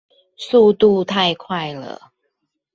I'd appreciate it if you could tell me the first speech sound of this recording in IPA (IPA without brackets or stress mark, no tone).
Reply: s